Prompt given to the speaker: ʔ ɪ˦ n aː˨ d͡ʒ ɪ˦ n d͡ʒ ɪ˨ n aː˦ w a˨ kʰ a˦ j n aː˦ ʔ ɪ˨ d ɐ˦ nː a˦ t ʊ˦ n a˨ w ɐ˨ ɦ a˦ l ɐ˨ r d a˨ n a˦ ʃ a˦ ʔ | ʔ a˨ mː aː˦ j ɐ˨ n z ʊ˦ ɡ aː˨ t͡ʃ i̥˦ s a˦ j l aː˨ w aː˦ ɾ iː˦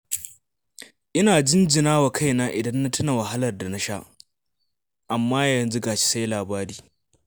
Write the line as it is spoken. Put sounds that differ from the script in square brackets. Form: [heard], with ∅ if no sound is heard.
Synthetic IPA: ʔ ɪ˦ n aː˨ d͡ʒ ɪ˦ n d͡ʒ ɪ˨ n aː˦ w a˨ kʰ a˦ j n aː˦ ʔ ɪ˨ d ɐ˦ nː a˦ t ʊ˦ n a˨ w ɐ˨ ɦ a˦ l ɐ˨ r d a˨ n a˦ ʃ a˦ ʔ | ʔ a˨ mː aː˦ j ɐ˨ n z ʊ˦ ɡ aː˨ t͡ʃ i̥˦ s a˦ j l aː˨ [b] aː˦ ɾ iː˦